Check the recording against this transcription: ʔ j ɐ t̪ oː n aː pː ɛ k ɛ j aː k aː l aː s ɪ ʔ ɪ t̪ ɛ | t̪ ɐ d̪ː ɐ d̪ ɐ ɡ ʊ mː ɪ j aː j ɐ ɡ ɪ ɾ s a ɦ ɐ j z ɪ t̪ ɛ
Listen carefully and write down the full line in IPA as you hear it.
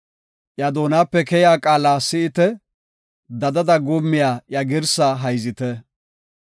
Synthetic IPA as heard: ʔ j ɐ d̪ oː n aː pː ɛ k ɛ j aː kʼ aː l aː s ɪ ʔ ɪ t̪ ɛ | d̪ ɐ d̪ ɐ d̪ ɐ ɡ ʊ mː ɪ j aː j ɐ ɡ ɪ ɾ s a ɦ ɐ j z ɪ t̪ ɛ